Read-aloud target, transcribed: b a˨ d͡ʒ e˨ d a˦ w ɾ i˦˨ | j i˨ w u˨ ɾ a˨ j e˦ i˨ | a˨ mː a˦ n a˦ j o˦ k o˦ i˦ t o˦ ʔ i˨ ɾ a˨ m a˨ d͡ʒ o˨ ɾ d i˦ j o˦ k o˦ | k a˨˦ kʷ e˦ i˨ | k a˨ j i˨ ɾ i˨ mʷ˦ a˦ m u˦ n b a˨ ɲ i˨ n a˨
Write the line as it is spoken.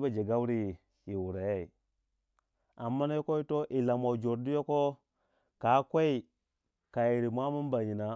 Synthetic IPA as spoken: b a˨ d͡ʒ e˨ ɡ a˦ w ɾ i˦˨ | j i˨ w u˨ ɾ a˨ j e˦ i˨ | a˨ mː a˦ n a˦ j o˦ k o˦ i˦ t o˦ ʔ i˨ l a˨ m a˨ d͡ʒ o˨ ɾ d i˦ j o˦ k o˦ | k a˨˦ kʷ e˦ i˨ | k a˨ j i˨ ɾ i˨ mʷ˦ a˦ m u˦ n b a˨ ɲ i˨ n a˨